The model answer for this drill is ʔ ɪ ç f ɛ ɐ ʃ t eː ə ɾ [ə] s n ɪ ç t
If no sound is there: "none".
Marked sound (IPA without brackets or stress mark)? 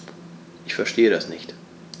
a